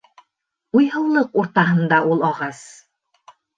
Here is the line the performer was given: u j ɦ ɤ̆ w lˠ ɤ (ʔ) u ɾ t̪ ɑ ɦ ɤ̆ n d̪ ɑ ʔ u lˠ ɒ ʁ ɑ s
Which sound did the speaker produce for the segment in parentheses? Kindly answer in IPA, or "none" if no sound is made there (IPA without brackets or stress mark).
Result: q